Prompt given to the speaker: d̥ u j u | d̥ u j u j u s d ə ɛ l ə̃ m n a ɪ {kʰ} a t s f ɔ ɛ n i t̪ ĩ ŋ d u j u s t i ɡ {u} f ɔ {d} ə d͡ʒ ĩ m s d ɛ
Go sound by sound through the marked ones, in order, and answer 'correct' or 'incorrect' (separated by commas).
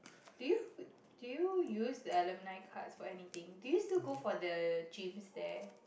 correct, incorrect, correct